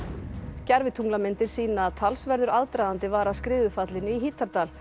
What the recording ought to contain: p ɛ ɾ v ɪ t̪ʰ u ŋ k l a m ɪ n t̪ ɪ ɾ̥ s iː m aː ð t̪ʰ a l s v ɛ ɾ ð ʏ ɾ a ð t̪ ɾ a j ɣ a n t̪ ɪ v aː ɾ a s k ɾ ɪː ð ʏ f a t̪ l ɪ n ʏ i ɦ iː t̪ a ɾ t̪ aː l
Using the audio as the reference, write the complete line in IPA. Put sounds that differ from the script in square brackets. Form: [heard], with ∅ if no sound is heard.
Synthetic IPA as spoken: [c] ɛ ɾ v ɪ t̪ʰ u ŋ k l a m ɪ n t̪ ɪ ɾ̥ s iː [n] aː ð t̪ʰ a l s v ɛ ɾ ð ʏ ɾ a ð t̪ ɾ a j [ð] a n t̪ ɪ v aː ɾ a s k ɾ ɪː ð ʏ f a t̪ l ɪ n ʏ i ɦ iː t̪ a ɾ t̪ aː l